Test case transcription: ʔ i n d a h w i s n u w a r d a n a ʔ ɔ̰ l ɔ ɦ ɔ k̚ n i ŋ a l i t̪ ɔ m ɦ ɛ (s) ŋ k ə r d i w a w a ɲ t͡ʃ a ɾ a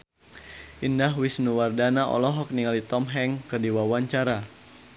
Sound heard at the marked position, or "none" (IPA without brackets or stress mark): none